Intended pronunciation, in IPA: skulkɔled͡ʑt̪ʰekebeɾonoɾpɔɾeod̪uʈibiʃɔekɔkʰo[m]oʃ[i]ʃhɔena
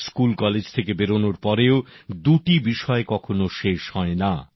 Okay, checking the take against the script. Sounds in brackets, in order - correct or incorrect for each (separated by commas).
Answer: incorrect, incorrect